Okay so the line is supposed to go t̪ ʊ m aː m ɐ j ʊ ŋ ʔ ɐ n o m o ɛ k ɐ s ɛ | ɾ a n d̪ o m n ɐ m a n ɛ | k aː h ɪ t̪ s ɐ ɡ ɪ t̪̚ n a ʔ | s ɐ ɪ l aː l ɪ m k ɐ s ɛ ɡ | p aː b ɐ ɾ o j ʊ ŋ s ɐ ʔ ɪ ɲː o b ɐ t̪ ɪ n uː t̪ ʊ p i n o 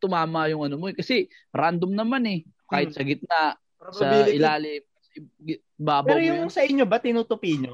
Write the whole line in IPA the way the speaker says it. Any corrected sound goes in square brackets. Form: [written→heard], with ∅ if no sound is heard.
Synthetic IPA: t̪ ʊ m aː m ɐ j ʊ ŋ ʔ ɐ n o m o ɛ k ɐ s ɛ | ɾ a n d̪ o m n ɐ m a n ɛ | k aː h ɪ t̪ s ɐ ɡ ɪ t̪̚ n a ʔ | s ɐ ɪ l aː l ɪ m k ɐ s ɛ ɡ | [p→b] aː b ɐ ɾ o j ʊ ŋ s ɐ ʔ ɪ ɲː o b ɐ t̪ ɪ n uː t̪ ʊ p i [n→ɲ] o